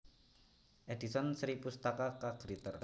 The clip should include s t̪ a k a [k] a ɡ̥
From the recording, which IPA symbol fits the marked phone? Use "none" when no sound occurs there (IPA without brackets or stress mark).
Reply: k